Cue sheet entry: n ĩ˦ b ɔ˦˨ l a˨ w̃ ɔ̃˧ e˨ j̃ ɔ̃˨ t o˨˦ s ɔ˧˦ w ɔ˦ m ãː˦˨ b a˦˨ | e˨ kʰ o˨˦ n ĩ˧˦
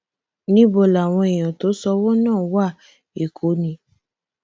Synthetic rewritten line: n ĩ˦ b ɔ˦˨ l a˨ w̃ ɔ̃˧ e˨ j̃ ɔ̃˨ t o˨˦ s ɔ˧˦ w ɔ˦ n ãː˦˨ w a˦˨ | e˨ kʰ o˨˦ n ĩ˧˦